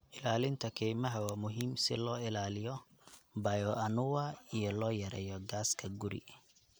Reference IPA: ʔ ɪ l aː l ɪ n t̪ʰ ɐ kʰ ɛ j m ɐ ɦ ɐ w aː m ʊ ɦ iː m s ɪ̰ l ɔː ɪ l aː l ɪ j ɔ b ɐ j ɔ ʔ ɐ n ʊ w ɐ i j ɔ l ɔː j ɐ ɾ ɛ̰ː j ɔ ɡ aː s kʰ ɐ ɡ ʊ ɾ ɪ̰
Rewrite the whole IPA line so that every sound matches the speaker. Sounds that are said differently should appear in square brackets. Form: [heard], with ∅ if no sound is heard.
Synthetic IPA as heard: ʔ ɪ l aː l ɪ n t̪ʰ ɐ kʰ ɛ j m ɐ ɦ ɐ w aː m ʊ ɦ iː m s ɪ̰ l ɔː ɪ l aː l ɪ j ɔ b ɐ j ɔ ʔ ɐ n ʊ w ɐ i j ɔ l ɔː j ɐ ɾ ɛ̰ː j ɔ ɡ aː s kʰ ɐ ɡ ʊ ɾ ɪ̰

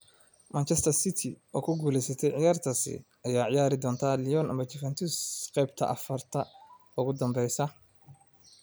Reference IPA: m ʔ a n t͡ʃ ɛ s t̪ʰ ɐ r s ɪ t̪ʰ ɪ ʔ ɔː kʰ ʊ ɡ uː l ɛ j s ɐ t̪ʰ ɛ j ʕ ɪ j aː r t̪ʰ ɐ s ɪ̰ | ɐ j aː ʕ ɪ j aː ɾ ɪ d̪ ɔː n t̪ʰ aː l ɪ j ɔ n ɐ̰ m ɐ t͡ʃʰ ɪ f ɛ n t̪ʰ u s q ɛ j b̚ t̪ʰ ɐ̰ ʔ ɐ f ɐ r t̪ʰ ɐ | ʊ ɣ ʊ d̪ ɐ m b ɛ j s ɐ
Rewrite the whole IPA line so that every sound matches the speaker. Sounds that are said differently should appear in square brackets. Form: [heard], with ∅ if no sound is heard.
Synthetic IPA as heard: m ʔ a n t͡ʃ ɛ s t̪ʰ ɐ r s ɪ t̪ʰ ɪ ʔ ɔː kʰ ʊ ɡ uː l ɛ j s ɐ t̪ʰ ɛ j ʕ ɪ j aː r t̪ʰ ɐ s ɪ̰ | ɐ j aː ʕ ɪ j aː ɾ ɪ d̪ ɔː n t̪ʰ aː l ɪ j ɔ n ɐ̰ m ɐ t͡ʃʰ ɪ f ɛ n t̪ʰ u s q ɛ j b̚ t̪ʰ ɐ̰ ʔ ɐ f ɐ r t̪ʰ ɐ | ʊ ɣ ʊ d̪ ɐ m b ɛ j s ɐ

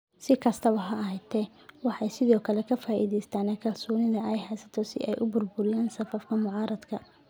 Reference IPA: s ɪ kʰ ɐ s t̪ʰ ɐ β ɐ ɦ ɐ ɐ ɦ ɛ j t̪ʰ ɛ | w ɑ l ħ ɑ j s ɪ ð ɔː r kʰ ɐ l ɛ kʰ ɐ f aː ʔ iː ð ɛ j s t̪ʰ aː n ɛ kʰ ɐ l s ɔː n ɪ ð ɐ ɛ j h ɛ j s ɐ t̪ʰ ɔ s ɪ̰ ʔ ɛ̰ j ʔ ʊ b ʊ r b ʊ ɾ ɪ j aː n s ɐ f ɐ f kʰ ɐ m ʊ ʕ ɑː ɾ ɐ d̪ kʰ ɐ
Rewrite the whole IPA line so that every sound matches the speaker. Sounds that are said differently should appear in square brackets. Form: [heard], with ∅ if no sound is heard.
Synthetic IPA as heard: s ɪ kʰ ɐ s t̪ʰ ɐ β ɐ ɦ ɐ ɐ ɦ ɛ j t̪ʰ ɛ | w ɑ [∅] ħ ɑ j s ɪ ð ɔː [∅] kʰ ɐ l ɛ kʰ ɐ f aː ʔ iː ð ɛ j s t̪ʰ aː n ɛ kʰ ɐ l s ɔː n ɪ ð ɐ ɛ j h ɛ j s ɐ t̪ʰ ɔ s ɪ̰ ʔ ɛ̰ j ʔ ʊ b ʊ r b ʊ ɾ ɪ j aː n s ɐ f ɐ f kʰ ɐ m ʊ ʕ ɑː ɾ ɐ d̪ kʰ ɐ

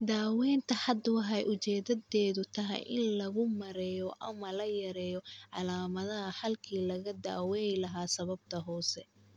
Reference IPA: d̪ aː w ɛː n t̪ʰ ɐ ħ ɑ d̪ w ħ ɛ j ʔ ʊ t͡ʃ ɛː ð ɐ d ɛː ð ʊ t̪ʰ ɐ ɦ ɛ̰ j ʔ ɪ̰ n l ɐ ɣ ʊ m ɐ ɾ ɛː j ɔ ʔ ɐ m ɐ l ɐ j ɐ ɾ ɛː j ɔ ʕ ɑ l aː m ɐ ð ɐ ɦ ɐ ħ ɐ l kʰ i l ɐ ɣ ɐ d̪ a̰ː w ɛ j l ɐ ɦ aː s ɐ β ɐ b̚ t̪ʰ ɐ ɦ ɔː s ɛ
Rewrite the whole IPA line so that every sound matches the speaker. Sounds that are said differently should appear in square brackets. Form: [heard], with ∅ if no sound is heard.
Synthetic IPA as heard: d̪ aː w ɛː n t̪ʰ ɐ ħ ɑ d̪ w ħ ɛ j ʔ ʊ t͡ʃ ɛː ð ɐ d ɛː ð ʊ t̪ʰ ɐ ɦ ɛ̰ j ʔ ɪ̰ n l ɐ ɣ ʊ m ɐ ɾ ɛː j ɔ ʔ ɐ m ɐ l ɐ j ɐ ɾ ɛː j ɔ ʕ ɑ l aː m ɐ ð ɐ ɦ ɐ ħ ɐ l kʰ [iː] l ɐ ɣ ɐ d̪ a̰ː w ɛ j l ɐ ɦ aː s ɐ β ɐ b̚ t̪ʰ ɐ ɦ ɔː s ɛ

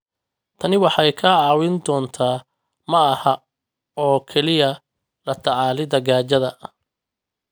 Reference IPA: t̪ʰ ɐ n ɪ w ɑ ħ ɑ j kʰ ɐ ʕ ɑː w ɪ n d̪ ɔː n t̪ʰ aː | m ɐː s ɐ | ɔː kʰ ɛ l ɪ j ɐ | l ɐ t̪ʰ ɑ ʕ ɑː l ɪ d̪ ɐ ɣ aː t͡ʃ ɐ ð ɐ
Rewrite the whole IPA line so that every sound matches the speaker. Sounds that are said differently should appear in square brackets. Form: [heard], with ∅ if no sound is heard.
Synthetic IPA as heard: t̪ʰ ɐ n ɪ w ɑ ħ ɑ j kʰ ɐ ʕ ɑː w ɪ n d̪ ɔː n t̪ʰ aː | m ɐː [h] ɐ | ɔː kʰ ɛ l ɪ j ɐ | l ɐ t̪ʰ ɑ ʕ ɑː l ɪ d̪ ɐ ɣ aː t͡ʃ ɐ ð ɐ

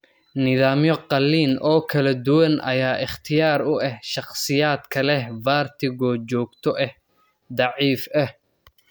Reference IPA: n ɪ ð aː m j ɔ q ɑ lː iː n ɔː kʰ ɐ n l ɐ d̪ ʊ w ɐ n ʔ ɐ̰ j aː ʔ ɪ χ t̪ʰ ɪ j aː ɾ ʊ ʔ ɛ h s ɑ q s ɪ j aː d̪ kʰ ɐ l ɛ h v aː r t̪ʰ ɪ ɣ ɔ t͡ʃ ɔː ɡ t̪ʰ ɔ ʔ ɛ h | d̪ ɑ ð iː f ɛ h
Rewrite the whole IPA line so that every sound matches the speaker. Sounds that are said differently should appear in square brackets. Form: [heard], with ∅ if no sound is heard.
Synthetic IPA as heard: n ɪ ð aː m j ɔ q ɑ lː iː n ɔː kʰ ɐ [∅] l ɐ d̪ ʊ w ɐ n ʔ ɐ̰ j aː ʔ ɪ χ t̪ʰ ɪ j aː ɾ ʊ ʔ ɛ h [ʃ] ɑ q s ɪ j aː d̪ kʰ ɐ l ɛ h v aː r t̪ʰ ɪ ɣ ɔ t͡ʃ ɔː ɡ t̪ʰ ɔ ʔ ɛ h | d̪ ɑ [ʕ] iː f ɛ h

